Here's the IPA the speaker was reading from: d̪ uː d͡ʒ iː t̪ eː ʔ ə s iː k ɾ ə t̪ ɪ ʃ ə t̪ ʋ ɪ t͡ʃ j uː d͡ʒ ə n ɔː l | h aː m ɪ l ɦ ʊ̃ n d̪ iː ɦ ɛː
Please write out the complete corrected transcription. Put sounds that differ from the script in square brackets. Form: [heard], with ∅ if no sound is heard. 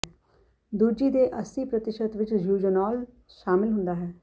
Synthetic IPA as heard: d̪ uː d͡ʒ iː [d̪] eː ʔ ə s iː [p] ɾ ə t̪ ɪ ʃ ə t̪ ʋ ɪ t͡ʃ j uː d͡ʒ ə n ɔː l | [ʃ] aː m ɪ l ɦ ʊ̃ n d̪ [aː] ɦ ɛː